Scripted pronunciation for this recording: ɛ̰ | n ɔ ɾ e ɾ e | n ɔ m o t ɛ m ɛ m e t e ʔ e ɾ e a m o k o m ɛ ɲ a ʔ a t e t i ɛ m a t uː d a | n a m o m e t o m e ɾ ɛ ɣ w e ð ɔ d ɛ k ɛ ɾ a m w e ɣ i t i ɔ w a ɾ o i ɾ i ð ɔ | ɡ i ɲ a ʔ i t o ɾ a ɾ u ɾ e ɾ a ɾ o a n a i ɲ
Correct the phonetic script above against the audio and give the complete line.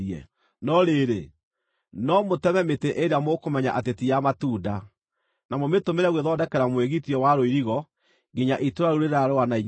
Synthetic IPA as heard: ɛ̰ | n ɔ ɾ e ɾ e | n ɔ m o t ɛ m ɛ m e t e ʔ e ɾ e a m o k o m ɛ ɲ a ʔ a t e t i a m a t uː d a | n a m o m e t o m e ɾ ɛ ɣ w e ð ɔ d ɛ k ɛ ɾ a m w e ɣ i t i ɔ w a ɾ o i ɾ i ɣ ɔ | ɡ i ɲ a ʔ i t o ɾ a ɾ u ɾ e ɾ a ɾ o a n a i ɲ

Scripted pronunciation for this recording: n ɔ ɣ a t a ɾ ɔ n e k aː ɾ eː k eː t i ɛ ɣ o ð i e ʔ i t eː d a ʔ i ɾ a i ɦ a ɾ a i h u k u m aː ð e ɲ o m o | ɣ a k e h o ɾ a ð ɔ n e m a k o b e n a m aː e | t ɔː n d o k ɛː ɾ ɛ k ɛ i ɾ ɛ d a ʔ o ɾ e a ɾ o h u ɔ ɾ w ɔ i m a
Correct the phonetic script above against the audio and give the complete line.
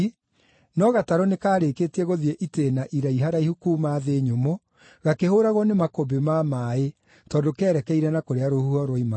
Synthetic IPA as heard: n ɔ ɣ a t a ɾ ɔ n e k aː ɾ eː k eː t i ɛ ɣ o ð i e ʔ i t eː n a ʔ i ɾ a i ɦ a ɾ a i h u k u m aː ð e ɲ o m o | ɣ a k e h o ɾ a ɣ ɔ n e m a k o b e m a m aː e | t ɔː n d o k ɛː ɾ ɛ k ɛ i ɾ ɛ n a k o ɾ e a ɾ o h u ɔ ɾ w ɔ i m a

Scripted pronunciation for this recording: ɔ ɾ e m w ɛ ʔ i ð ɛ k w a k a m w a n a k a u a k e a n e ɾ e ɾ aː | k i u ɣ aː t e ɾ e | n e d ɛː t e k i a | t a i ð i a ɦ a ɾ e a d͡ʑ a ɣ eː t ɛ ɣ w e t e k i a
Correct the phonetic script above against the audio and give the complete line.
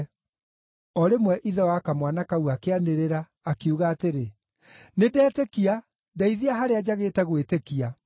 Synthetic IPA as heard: ɔ ɾ e m w ɛ ʔ i ð ɛ w a k a m w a n a k a u a k e a n e ɾ e ɾ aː | k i u ɣ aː t e ɾ e | n e d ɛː t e k i a | d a i ð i a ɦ a ɾ e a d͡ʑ a ɣ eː t ɛ ɣ w e t e k i a

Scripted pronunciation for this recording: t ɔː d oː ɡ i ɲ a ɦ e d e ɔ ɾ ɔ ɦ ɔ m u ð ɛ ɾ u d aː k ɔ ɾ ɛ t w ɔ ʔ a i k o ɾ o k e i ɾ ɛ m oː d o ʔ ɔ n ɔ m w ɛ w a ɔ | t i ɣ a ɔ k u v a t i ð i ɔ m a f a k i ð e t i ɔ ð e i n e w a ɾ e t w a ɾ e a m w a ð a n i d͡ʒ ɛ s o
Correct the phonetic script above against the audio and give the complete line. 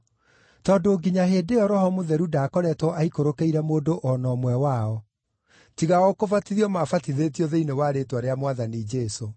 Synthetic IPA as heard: t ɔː d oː ɡ i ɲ a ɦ e d e ɔ ɾ ɔ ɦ ɔ m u ð ɛ ɾ u d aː k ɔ ɾ ɛ t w ɔ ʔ a i k o ɾ o k e i ɾ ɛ m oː d o ʔ ɔ n ɔ m w ɛ w a ɔ | t i ɣ a ɔ k o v a t i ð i ɔ m a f a t i ð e t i ɔ ð e i n e w a ɾ e t w a ɾ e a m w a ð a n i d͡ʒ ɛ s o

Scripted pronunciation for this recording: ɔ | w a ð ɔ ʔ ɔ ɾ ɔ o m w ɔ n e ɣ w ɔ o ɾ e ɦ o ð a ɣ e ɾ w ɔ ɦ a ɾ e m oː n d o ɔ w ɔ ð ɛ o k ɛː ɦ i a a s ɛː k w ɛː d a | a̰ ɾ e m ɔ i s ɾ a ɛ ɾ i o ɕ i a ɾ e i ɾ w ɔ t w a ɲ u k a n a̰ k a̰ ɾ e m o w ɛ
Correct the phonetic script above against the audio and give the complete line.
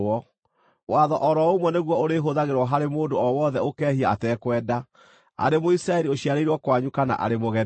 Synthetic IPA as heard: ɔ | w a ð ɔ ʔ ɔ ɾ ɔ o m w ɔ n e ɣ w ɔ o ɾ e ɦ o ð a ɣ e ɾ w ɔ ɦ a ɾ e m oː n d o ɔ w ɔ ð ɛ o k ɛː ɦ i a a t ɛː k w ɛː d a | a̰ ɾ e m o i s ɾ a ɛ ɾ i o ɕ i a ɾ e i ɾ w ɔ k w a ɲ u k a n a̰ ʔ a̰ ɾ e m o ɣ ɛ

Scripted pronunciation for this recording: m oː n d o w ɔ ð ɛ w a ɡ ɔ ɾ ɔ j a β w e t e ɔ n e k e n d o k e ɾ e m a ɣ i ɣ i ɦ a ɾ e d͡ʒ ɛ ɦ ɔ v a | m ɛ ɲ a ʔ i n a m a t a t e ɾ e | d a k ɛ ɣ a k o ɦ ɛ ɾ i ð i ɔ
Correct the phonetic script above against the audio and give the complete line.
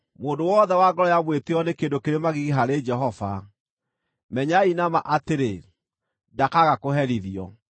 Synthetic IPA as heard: m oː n d o w ɔ ð ɛ w a ɡ ɔ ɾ ɔ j a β w e t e ɔ n e k e n d o k e ɾ e m a ɣ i ɣ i ɦ a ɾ e d͡ʒ ɛ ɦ ɔ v a | m ɛ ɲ a i n a m a ʔ a t e ɾ e | d a k a ɣ a k o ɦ ɛ ɾ i ð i ɔ

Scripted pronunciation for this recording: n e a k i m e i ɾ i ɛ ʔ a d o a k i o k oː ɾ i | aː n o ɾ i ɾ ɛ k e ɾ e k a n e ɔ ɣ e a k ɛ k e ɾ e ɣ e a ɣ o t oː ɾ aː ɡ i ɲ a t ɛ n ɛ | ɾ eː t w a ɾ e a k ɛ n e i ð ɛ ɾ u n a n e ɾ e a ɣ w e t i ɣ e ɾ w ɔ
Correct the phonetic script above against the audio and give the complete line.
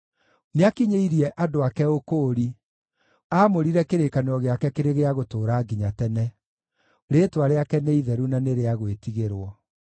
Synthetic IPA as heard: n e a k i ɲ e i ɾ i ɛ ʔ a d o a k ɛ o k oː ɾ i | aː m o ɾ i ɾ ɛ k e ɾ e k a n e ɔ ɣ e a k ɛ k e ɾ e ɣ e a ɣ o t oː ɾ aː ɡ i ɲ a t ɛ n ɛ | ɾ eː t w a ɾ e a k ɛ n e i ð ɛ ɾ u n a n e ɾ e a ɣ w e t i ɣ e ɾ w ɔ

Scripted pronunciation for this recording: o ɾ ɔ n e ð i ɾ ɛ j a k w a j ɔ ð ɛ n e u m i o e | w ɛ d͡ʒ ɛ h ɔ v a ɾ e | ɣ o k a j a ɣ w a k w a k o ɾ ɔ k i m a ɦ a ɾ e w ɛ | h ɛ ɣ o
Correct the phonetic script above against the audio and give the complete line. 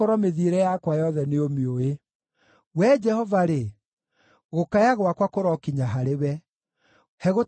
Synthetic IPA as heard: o ɾ ɔ m e ð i ɾ ɛ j a k w a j ɔ ð ɛ n e o m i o e | w ɛ d͡ʒ ɛ h ɔ v a ɾ e | ɣ o k a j a ɣ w a k w a k o ɾ ɔ k i ɲ a ɦ a ɾ e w ɛ | h ɛ ɣ o

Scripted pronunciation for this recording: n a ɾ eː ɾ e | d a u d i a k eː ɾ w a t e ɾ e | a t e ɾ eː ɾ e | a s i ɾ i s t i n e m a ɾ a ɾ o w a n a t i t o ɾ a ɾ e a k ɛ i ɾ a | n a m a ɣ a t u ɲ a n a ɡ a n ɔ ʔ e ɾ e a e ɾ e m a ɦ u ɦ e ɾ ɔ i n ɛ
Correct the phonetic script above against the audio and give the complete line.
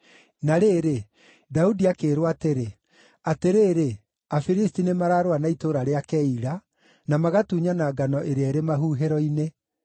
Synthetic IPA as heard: n a ɾ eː ɾ e | d a u d i a k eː ɾ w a t e ɾ e | a t e ɾ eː ɾ e | a f i ɾ i s t i n e m a ɾ a ɾ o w a n a i t o ɾ a ɾ e a k ɛ i ɾ a | n a m a ɣ a t u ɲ a n a ɡ a n ɔ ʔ e ɾ e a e ɾ e m a ɦ u ɦ e ɾ ɔ i n e

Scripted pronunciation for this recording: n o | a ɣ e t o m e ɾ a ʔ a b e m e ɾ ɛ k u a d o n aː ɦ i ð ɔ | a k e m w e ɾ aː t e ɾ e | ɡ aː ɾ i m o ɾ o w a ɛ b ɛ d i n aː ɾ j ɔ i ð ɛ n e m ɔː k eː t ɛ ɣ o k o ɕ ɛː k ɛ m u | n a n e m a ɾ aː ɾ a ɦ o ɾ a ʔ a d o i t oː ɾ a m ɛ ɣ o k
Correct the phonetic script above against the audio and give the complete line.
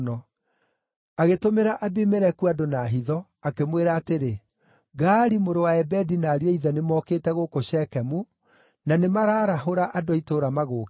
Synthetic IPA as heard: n ɔ | a ɣ e t o m e ɾ a ʔ a b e m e ɾ ɛ k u a d o n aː ɦ i ð ɔ | a k e m w e ɾ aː t e ɾ e | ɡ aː ɾ i m o ɾ o w a ɛ b ɛ d i n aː ɾ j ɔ i ð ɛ n e m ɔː k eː t ɛ ɣ o k o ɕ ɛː k ɛ m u | n a n e m a ɾ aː ɾ a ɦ o ɾ a ʔ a d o i t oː ɾ a m a ɣ o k

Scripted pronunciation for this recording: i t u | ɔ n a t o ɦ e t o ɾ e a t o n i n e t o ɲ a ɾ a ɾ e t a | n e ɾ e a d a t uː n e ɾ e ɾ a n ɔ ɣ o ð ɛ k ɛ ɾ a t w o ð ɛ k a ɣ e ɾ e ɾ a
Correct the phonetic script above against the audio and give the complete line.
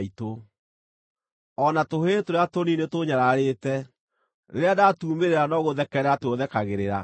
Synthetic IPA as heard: i t o | ɔ n a t o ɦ e t o ɾ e a t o n i n e t o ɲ a ɾ a ɾ e t ɛ | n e ɾ e a d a t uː m e ɾ e ɾ a n ɔ ɣ o ð ɛ k ɛ ɾ a t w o ð ɛ k a ɣ e ɾ e ɾ a

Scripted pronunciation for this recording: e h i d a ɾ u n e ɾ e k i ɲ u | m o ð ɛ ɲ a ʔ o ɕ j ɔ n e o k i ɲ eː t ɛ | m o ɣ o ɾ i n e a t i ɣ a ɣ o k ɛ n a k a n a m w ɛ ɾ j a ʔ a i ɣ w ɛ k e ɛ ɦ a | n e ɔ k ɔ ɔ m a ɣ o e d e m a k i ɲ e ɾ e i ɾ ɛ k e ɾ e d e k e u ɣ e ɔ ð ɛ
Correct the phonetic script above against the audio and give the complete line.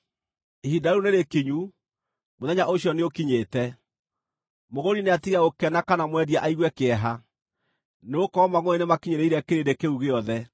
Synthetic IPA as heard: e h i d a ɾ u n e ɾ e k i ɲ u | m o ð ɛ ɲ a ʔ o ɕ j ɔ n e o k i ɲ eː t ɛ | m o ɣ o ɾ i n e a t i ɣ a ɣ o k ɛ n a k a n a m w ɛ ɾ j a ʔ a i ɣ w ɛ k e ɛ ɦ a | n e o k ɔ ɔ m a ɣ o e n e m a k i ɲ e ɾ e i ɾ ɛ k e ɾ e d e k e u ɣ e ɔ ð ɛ

